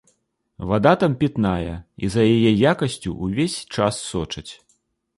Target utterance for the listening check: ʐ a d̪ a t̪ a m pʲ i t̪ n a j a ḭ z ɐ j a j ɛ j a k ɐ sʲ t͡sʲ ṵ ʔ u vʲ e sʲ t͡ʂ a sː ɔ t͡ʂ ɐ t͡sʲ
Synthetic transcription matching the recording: v a d̪ a t̪ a m pʲ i t̪ n a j ɐ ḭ z ɐ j a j ɛ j a k ɐ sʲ t͡sʲ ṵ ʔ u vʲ e sʲ t͡ʂ a sː ɔ t͡ʂ ɐ t͡sʲ

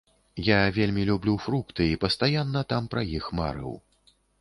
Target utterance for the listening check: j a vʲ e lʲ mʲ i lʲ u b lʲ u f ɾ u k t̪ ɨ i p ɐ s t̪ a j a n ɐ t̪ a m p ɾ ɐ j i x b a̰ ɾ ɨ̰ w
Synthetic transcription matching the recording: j a vʲ e lʲ mʲ i lʲ u b lʲ u f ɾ u k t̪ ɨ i p ɐ s t̪ a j a nː ɐ t̪ a m p ɾ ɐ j i x m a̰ ɾ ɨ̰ w

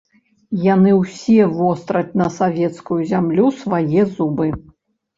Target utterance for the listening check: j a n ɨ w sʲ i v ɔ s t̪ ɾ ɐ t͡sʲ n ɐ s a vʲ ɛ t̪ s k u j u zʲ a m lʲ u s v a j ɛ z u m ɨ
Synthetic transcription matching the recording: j a n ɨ w sʲ ɛ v ɔ s t̪ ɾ ɐ t͡sʲ n ɐ s a vʲ ɛ t̪ s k u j u zʲ a m lʲ u s v a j ɛ z u b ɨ

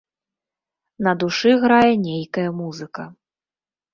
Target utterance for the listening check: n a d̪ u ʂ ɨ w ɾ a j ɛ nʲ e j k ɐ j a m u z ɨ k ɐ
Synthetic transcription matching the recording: n ɐ d̪ u ʂ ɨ ɣ ɾ a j ɛ nʲ e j k ɐ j ɐ m u z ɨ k ɐ

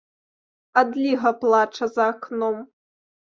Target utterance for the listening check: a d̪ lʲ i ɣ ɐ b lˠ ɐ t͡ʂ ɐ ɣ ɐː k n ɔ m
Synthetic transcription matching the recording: a d̪ lʲ i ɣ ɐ p lˠ a t͡ʂ ɐ z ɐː k n ɔ m

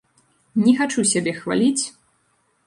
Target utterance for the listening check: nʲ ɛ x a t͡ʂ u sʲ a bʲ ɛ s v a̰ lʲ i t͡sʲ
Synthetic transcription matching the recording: nʲ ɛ x a t͡ʂ u sʲ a bʲ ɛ x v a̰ lʲ i t͡sʲ

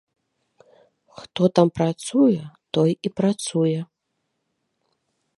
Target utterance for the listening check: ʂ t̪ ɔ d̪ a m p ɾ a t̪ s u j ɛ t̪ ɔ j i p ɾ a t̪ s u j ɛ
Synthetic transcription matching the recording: x t̪ ɔ t̪ a m p ɾ a t̪ s u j ɛ t̪ ɔ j i p ɾ a t̪ s u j ɛ

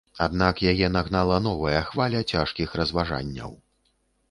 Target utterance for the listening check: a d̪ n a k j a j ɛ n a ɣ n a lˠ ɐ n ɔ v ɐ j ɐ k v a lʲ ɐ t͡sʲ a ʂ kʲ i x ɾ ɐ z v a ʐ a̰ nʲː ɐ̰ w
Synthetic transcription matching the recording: a d̪ n a k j a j ɛ n a ɣ n a lˠ ɐ n ɔ v ɐ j ɐ x v a lʲ ɐ t͡sʲ a ʂ kʲ i x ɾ ɐ z v a ʐ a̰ nʲː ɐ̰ w

